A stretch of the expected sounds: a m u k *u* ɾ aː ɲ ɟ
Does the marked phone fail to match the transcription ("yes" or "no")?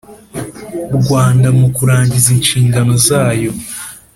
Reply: no